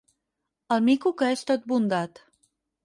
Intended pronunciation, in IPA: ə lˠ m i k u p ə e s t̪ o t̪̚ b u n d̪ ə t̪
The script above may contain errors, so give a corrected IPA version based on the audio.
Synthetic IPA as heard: ə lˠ m i k u k ə e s t̪ o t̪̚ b u n d̪ a t̪